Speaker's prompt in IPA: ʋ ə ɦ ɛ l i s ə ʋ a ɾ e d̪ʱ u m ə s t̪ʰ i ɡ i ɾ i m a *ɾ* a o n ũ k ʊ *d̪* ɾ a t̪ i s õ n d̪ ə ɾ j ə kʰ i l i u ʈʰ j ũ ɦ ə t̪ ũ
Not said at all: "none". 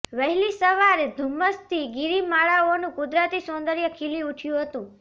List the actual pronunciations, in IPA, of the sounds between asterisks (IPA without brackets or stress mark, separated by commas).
ɭ, d̪